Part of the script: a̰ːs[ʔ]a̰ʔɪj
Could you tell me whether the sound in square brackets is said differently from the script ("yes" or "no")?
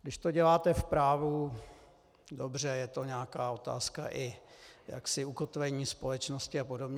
yes